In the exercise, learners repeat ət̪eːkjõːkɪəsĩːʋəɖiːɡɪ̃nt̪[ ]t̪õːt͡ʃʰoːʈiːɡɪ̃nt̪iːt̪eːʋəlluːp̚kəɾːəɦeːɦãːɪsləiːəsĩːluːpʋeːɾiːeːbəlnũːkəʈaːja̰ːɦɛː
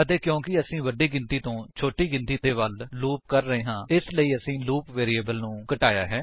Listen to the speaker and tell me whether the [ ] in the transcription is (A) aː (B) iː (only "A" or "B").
B